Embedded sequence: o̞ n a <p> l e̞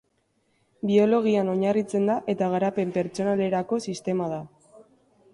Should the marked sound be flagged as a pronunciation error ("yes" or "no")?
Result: yes